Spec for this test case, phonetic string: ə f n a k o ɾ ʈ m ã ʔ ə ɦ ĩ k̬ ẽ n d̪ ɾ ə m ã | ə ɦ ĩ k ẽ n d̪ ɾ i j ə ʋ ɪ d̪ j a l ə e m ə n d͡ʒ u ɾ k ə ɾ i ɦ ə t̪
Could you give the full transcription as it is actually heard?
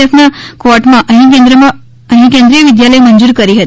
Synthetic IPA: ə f n a k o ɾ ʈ m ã ʔ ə ɦ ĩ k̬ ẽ n d̪ ɾ ə m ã | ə ɦ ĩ k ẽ n d̪ ɾ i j ə ʋ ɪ d̪ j a l ə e m ə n d͡ʒ u ɾ k ə ɾ i ɦ ə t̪